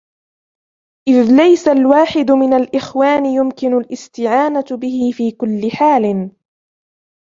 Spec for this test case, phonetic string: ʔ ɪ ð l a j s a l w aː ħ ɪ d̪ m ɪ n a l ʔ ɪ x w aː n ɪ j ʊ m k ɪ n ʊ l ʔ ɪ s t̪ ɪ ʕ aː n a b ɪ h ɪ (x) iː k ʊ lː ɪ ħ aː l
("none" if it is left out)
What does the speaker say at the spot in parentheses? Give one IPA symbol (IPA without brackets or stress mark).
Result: f